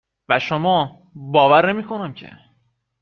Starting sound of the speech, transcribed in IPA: v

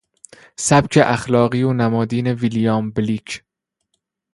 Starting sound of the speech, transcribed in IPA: s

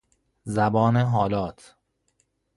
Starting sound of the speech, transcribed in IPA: z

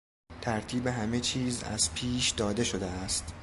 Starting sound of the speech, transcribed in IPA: t̪ʰ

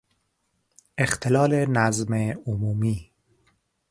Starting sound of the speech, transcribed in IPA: e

